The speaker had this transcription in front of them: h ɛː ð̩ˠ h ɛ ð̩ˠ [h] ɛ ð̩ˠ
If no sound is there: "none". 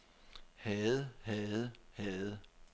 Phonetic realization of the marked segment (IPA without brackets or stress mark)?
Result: h